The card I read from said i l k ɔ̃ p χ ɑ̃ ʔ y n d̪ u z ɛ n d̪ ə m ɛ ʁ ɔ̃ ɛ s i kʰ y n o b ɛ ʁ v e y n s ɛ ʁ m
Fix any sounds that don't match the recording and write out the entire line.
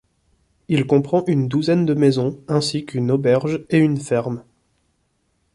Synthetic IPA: i l k ɔ̃ p χ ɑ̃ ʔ y n d̪ u z ɛ n d̪ ə m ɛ z ɔ̃ ɛ̃ s i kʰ y n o b ɛ ʁ ʒ e y n f ɛ ʁ m